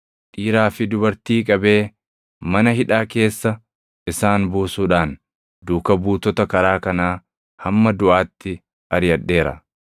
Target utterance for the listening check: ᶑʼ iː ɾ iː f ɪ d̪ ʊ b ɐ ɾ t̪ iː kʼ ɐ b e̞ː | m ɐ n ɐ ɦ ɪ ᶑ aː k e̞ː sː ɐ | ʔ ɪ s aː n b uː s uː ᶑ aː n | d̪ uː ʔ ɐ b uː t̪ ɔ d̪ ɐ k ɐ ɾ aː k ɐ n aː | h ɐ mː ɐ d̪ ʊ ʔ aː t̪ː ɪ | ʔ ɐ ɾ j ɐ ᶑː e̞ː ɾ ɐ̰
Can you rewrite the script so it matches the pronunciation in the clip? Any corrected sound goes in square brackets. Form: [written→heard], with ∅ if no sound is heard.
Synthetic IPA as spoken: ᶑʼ iː ɾ [iː→aː] f ɪ d̪ ʊ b ɐ ɾ t̪ iː kʼ ɐ b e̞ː | m ɐ n ɐ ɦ ɪ ᶑ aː k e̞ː sː ɐ | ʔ ɪ s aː n b uː s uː ᶑ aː n | d̪ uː [ʔ→k] ɐ b uː t̪ ɔ [d̪→t̪] ɐ k ɐ ɾ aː k ɐ n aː | h ɐ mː ɐ d̪ ʊ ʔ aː t̪ː ɪ | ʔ ɐ ɾ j ɐ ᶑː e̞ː ɾ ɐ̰